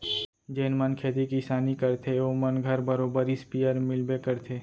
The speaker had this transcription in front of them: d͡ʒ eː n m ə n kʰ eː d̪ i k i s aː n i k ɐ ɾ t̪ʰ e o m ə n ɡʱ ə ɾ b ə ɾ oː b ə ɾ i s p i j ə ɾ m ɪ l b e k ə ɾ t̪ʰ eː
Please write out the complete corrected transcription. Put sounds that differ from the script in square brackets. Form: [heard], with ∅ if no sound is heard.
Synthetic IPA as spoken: d͡ʒ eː n m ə n kʰ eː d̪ i k i s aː n i k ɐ ɾ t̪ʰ e o m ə n ɡʱ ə ɾ b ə ɾ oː b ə ɾ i s p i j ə ɾ m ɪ l b e k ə ɾ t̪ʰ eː